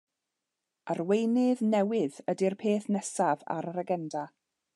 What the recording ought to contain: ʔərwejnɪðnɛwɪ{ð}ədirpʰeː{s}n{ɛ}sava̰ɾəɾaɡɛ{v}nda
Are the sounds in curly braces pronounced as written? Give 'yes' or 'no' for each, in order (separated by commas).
yes, no, yes, no